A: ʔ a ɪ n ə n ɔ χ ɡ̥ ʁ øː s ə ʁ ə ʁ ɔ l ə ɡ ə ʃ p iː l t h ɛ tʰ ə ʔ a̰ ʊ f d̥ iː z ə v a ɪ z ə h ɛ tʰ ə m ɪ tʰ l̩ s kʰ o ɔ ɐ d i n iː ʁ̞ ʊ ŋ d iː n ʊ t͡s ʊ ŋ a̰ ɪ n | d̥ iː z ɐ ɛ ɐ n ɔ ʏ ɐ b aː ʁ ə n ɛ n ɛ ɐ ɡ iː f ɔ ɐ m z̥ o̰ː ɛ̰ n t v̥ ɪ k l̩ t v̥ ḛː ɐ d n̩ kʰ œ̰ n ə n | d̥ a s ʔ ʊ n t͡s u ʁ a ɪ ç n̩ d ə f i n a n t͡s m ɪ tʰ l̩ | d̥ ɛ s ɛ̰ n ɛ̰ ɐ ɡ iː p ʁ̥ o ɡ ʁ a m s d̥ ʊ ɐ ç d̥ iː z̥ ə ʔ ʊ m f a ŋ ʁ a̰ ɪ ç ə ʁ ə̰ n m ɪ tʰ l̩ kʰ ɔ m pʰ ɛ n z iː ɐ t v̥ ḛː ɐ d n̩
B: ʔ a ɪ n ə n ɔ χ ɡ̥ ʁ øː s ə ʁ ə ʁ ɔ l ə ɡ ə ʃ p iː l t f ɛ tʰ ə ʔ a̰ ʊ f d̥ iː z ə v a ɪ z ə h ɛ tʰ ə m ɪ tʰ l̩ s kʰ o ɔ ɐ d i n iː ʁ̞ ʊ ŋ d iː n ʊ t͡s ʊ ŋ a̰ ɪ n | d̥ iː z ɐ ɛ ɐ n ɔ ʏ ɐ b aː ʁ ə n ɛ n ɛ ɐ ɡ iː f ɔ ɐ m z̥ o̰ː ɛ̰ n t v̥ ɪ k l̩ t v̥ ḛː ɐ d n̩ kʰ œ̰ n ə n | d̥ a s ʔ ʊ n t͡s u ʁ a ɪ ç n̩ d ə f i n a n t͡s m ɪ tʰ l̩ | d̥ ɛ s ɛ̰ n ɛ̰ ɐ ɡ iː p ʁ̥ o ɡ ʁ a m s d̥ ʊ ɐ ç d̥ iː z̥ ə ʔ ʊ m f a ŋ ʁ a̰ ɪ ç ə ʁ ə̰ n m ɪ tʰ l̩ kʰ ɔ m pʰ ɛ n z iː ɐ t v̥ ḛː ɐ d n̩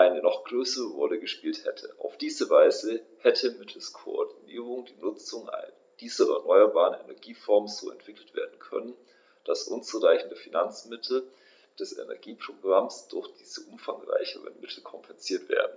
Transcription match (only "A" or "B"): A